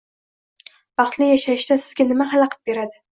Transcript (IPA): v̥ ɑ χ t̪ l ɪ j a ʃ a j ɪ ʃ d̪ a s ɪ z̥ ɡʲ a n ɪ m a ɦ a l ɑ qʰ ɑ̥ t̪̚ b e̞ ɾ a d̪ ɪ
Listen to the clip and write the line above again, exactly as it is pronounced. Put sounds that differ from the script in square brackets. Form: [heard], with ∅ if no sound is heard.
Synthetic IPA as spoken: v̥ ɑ χ t̪ l ɪ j a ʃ a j ɪ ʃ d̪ a s ɪ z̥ ɡʲ a n ɪ m a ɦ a l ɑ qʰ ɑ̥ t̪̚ b e̞ ɾ a d̪ ɪ